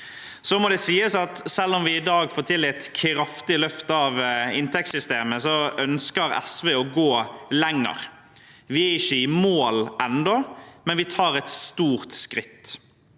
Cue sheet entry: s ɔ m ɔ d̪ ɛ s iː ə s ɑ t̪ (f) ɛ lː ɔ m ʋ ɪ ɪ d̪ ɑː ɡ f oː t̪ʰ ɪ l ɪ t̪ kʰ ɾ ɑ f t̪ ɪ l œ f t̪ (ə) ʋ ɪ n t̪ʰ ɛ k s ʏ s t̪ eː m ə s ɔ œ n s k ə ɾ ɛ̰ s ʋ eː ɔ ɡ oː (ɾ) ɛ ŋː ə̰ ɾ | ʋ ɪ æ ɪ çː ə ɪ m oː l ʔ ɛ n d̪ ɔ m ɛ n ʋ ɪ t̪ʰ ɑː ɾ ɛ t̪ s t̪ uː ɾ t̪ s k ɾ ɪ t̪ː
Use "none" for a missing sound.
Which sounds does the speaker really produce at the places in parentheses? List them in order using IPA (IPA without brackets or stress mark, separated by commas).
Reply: s, ɑ, l